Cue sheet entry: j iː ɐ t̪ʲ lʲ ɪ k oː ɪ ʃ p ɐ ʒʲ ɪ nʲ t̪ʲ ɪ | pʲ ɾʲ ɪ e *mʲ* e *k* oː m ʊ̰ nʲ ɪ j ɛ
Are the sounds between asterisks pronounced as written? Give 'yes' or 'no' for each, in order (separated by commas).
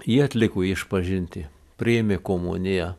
yes, yes